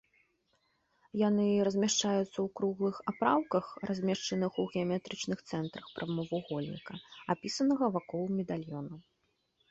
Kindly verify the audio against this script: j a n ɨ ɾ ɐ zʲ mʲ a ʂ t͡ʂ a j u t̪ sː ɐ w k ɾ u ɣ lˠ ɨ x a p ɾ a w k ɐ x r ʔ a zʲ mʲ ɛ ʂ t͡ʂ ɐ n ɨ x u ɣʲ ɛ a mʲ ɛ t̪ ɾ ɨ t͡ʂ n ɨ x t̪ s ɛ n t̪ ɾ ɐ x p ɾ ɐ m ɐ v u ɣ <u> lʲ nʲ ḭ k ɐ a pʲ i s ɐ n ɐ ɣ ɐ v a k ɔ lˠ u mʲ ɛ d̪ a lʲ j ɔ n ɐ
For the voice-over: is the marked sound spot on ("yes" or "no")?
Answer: no